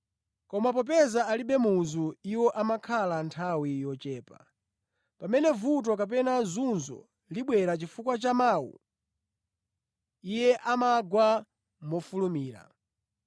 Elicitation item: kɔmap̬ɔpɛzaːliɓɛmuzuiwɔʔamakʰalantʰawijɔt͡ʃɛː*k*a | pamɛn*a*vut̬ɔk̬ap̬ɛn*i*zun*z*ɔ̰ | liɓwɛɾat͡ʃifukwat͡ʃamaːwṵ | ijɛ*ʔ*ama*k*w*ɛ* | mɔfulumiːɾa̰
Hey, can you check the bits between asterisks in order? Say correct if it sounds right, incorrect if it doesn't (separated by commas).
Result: incorrect, incorrect, incorrect, correct, correct, incorrect, incorrect